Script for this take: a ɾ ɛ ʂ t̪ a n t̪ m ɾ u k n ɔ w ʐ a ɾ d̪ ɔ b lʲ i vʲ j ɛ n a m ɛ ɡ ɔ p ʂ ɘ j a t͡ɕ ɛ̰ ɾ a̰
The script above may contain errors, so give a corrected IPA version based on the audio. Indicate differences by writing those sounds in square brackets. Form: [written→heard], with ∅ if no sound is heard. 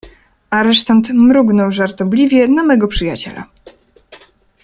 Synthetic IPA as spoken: a ɾ ɛ ʂ t̪ a n t̪ m ɾ u [k→ɡ] n ɔ w ʐ a ɾ [d̪→t̪] ɔ b lʲ i vʲ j ɛ n a m ɛ ɡ ɔ p ʂ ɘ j a t͡ɕ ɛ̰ [ɾ→l] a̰